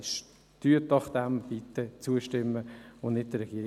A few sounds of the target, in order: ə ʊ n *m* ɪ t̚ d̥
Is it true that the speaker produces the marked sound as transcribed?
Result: no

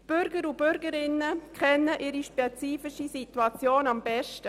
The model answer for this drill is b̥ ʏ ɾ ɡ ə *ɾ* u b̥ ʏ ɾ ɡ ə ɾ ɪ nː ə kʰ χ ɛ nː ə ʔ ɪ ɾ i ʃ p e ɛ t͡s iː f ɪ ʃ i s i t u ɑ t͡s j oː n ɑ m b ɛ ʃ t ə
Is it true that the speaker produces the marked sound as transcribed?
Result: yes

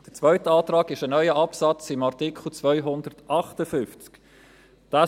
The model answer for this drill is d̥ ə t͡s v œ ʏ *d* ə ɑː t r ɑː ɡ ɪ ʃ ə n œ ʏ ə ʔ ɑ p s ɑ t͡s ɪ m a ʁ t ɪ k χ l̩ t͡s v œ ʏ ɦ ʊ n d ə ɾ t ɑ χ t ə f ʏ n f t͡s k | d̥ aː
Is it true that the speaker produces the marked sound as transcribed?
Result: no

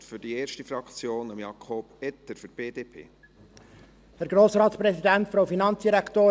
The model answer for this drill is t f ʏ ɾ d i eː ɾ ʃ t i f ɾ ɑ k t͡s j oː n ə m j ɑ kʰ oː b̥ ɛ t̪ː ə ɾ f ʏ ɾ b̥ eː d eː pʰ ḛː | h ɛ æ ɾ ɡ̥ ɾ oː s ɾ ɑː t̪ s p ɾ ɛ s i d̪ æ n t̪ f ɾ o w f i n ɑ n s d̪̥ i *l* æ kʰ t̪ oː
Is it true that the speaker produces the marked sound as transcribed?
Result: no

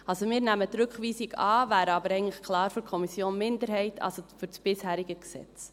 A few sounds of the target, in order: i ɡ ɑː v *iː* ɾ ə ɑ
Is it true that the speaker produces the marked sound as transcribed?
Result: no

